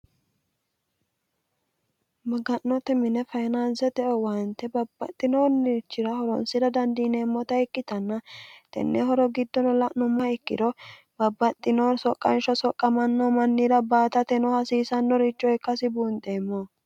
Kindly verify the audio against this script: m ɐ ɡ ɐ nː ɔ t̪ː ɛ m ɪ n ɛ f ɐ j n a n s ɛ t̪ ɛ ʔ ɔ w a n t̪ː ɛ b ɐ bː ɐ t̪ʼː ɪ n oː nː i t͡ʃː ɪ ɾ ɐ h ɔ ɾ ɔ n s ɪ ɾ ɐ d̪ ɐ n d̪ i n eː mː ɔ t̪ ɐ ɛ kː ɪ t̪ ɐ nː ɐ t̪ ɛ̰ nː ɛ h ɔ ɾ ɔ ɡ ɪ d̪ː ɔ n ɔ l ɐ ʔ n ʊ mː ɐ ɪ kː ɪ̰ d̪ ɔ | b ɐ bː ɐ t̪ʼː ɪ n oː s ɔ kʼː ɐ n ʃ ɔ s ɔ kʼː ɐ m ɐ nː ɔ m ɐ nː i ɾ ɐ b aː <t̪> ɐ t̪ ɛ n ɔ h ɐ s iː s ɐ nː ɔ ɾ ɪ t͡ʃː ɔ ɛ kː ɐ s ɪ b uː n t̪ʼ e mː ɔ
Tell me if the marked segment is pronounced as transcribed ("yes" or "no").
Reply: yes